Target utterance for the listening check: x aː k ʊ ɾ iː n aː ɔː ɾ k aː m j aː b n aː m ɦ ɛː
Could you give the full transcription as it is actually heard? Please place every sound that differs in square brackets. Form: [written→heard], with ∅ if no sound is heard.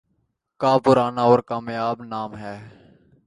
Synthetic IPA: [x→k] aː [k→p] ʊ ɾ [iː→aː] n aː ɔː ɾ k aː m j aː b n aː m ɦ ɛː